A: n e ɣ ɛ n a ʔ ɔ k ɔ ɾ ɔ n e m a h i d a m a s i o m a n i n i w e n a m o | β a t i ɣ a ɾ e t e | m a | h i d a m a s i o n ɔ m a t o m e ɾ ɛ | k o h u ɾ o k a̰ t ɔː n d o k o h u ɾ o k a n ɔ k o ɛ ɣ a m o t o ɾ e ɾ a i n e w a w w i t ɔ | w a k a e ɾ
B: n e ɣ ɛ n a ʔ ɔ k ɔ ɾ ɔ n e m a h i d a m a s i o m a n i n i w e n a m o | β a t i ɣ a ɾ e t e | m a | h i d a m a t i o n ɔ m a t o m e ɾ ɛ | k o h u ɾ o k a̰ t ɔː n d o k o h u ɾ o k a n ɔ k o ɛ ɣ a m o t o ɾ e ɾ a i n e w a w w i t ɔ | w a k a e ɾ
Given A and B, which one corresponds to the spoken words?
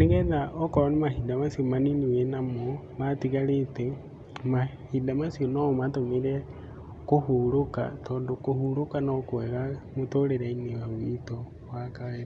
A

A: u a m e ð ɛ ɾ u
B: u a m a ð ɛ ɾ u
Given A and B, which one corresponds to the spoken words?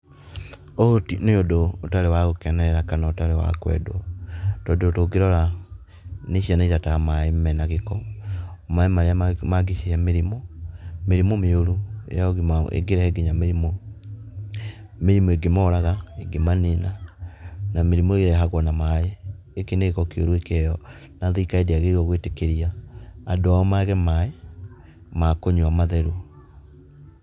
B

